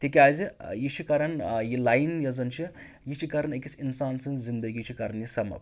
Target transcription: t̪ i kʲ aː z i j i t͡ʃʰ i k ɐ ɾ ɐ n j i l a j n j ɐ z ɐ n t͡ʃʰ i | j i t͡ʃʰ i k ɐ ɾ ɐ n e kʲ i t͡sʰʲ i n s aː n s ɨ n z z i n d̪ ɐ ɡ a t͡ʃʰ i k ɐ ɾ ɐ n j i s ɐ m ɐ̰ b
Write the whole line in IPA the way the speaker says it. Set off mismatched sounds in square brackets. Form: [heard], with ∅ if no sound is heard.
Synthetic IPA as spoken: t̪ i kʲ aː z i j i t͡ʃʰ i k ɐ ɾ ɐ n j i l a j n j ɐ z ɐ n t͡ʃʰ i | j i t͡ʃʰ i k ɐ ɾ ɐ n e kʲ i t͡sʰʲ i n s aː n s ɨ n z z i n d̪ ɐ ɡ [i] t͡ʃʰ i k ɐ ɾ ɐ n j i s ɐ m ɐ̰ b